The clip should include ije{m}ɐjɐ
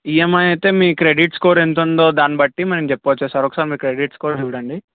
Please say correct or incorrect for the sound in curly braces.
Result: correct